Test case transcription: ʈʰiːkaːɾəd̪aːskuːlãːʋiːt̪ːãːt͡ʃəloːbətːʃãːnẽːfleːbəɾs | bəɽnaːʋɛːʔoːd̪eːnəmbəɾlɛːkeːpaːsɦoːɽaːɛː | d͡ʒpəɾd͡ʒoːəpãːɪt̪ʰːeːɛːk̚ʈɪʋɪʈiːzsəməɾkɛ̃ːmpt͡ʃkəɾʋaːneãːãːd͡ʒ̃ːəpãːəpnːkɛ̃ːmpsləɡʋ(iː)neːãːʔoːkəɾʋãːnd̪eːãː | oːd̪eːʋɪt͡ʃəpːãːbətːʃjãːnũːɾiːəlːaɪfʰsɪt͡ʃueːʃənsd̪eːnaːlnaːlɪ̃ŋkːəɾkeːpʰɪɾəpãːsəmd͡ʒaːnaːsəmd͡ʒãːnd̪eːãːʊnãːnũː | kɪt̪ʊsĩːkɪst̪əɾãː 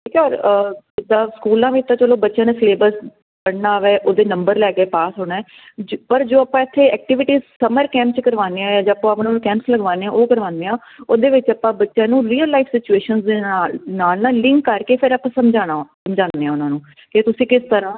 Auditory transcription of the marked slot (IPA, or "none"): aː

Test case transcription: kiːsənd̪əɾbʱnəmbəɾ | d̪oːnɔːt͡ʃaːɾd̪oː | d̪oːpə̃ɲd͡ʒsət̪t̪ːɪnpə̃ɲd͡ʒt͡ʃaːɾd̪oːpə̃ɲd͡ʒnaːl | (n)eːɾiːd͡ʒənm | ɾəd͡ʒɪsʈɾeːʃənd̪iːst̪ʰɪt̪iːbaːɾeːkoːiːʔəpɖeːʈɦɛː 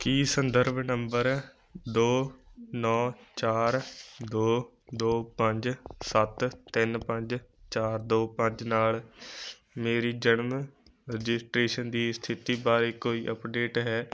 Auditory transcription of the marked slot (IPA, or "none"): m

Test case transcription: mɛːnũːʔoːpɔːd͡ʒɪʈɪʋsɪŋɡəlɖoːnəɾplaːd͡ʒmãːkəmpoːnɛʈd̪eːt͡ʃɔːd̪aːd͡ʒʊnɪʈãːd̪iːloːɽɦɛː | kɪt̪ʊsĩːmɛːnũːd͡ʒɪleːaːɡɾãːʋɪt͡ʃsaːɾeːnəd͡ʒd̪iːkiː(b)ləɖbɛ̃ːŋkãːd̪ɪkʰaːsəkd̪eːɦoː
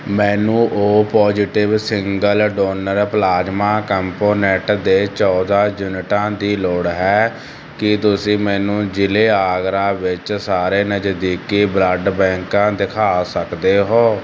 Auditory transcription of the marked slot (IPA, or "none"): b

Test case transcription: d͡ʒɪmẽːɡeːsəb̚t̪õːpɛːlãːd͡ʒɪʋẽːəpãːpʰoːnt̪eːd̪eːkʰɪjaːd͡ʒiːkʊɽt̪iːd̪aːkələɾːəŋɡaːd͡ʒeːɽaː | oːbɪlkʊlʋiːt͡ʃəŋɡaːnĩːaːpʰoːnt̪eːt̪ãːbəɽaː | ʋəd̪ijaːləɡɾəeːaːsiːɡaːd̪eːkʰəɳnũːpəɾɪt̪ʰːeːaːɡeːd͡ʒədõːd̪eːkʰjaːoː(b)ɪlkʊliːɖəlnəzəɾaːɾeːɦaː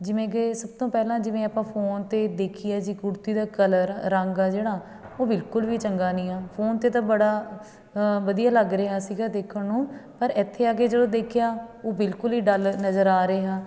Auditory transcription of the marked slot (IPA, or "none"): b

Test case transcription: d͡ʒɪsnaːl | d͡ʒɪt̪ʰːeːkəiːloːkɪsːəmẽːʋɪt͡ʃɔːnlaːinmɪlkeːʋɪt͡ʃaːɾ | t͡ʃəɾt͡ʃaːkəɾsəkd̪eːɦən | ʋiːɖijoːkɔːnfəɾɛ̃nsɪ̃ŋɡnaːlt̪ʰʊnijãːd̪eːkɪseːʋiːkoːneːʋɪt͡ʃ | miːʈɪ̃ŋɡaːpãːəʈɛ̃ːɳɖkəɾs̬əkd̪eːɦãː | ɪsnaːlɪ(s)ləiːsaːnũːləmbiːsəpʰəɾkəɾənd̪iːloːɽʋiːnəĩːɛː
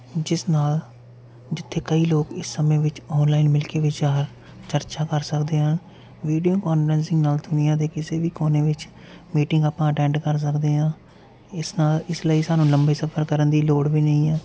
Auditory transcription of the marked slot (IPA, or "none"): s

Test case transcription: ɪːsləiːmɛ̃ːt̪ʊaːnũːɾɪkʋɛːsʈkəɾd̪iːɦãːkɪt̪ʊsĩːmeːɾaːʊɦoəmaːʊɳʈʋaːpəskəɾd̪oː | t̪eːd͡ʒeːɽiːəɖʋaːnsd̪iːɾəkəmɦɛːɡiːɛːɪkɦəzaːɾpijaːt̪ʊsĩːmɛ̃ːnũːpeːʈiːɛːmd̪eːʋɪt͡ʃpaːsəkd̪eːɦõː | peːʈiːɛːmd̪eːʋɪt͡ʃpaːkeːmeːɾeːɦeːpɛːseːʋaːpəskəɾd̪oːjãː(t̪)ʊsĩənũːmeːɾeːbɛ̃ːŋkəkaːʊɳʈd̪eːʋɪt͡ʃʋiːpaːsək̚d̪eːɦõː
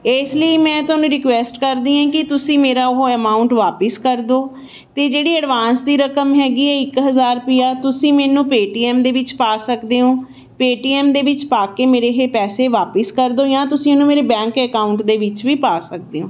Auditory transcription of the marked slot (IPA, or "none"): t̪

